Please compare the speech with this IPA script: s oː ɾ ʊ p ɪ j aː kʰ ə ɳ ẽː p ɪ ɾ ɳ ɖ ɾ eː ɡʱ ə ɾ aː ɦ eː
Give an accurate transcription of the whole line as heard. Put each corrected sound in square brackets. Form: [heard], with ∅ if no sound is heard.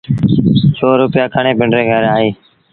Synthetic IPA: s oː ɾ ʊ p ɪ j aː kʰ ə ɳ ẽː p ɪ [∅] ɳ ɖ ɾ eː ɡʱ ə ɾ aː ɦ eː

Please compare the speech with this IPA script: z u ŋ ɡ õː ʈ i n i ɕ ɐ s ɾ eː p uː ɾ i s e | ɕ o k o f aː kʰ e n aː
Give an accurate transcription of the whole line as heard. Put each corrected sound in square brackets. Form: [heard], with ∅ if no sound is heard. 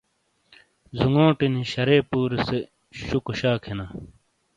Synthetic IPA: z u ŋ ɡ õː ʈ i n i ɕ ɐ [∅] ɾ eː p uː ɾ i s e | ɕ [u] k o [ɕ] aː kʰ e n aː

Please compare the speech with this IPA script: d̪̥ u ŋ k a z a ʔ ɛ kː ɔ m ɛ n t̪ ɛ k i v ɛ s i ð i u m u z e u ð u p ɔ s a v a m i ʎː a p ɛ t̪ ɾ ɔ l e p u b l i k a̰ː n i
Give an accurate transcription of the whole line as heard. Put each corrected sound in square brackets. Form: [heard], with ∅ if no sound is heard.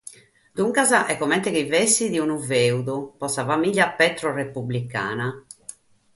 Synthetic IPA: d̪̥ u ŋ k a z a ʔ ɛ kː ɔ m ɛ n t̪ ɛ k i v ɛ s i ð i u [n] u [v] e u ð u p ɔ s a v a m i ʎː a p ɛ t̪ ɾ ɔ [r] e p u b l i k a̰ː n [a]

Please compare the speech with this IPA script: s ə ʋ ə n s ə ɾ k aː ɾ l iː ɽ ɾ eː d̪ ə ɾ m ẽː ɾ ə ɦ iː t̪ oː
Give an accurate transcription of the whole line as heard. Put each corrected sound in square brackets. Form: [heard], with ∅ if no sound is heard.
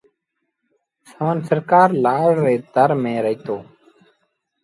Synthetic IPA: s ə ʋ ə n s ə ɾ k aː ɾ l [aː] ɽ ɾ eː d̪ ə ɾ m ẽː ɾ ə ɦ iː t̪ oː

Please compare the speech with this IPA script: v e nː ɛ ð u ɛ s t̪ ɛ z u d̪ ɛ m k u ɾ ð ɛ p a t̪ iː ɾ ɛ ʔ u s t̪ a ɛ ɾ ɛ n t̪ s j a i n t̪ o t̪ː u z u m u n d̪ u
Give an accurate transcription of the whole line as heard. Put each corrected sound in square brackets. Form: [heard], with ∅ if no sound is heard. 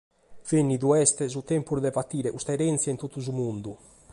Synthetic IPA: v e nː [i] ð u ɛ s t̪ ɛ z u [t̪] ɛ m [p] u ɾ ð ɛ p a t̪ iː ɾ ɛ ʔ u s t̪ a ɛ ɾ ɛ n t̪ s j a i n t̪ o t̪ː u z u m u n d̪ u

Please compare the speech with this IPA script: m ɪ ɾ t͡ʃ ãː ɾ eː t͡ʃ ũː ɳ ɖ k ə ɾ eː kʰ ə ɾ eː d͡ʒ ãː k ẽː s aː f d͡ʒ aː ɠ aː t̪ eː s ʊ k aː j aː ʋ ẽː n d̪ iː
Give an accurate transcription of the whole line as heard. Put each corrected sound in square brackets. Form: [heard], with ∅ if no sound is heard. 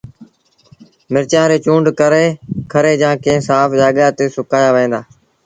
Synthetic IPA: m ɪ ɾ t͡ʃ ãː ɾ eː t͡ʃ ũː ɳ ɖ k ə ɾ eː kʰ ə ɾ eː d͡ʒ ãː k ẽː s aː f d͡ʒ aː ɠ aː t̪ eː s ʊ k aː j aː ʋ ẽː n d̪ [aː]

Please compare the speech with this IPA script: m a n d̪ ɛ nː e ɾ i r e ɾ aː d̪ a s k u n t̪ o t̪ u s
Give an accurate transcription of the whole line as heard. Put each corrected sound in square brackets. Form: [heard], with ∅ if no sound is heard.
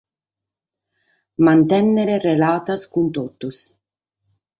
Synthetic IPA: m a n [t̪] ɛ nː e ɾ [e] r e [l] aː [t̪] a s k u n t̪ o t̪ u s

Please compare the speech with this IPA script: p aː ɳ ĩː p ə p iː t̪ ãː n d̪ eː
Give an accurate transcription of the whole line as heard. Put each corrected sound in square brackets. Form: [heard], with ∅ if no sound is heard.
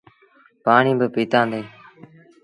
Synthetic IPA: p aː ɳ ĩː [b] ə p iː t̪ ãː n d̪ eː

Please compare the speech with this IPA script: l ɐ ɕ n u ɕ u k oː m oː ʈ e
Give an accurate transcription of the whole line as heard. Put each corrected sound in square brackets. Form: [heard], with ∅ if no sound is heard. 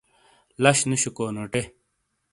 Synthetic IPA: l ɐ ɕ n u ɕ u k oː [n] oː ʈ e

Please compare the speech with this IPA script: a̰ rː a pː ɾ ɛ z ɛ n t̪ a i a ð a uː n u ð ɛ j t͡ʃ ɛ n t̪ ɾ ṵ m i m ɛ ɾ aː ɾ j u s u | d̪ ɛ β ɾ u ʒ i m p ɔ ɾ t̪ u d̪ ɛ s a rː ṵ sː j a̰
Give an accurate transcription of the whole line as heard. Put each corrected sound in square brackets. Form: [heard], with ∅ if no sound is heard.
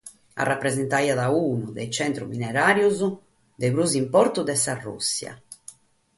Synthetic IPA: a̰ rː a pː ɾ ɛ z ɛ n t̪ a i a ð a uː n u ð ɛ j t͡ʃ ɛ n t̪ ɾ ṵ m i [n] ɛ ɾ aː ɾ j u [z] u | d̪ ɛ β ɾ u [z] i m p ɔ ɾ t̪ u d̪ ɛ s a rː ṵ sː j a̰

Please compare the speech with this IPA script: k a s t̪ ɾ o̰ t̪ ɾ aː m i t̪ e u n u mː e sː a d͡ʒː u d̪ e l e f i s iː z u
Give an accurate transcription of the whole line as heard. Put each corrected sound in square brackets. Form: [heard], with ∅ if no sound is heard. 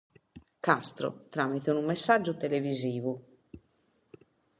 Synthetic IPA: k a s t̪ ɾ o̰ t̪ ɾ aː m i t̪ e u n u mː e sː a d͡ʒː u [t̪] e l e [v] i [z] iː [v] u

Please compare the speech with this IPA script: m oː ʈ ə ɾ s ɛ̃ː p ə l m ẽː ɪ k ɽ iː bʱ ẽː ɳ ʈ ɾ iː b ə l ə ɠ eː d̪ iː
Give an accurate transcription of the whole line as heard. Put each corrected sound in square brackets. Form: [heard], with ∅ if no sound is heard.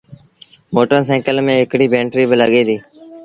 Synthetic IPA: m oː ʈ ə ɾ s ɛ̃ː [k] ə l m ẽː ɪ k ɽ iː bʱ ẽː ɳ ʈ ɾ iː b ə l ə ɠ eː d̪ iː

